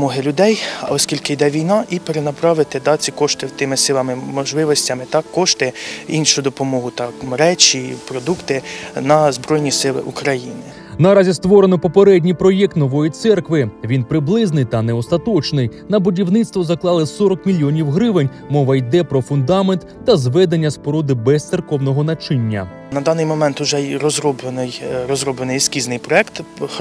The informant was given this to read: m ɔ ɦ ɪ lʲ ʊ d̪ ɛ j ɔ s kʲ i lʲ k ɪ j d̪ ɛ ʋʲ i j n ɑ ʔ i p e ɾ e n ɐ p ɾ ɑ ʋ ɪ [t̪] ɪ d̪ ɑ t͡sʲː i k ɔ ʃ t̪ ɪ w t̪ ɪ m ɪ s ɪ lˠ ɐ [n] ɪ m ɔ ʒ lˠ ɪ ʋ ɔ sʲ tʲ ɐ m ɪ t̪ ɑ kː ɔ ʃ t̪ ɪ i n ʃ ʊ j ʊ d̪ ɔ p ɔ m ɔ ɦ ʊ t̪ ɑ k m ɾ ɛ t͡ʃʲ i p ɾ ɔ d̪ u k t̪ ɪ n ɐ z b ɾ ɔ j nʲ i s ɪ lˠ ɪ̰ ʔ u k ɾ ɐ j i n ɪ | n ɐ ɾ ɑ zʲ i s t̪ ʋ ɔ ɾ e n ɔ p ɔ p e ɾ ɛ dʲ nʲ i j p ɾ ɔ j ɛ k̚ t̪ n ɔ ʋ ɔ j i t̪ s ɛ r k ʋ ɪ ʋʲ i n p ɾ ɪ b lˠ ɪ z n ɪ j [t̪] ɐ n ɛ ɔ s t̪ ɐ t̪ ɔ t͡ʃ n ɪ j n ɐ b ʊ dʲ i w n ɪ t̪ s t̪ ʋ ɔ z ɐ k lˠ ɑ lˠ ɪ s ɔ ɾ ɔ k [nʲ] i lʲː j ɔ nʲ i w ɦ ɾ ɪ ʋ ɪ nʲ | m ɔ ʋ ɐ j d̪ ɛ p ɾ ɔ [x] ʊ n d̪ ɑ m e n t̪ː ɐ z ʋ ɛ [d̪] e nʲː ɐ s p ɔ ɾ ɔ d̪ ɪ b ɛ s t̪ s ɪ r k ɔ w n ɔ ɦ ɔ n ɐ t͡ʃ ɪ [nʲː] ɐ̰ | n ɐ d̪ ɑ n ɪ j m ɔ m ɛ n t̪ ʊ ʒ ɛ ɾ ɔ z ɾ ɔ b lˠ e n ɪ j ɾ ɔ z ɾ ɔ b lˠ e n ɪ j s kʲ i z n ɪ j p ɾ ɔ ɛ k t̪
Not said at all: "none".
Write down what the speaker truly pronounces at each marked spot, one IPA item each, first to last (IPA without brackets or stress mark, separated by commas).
t̪, m, t̪, mʲ, f, d̪, nʲː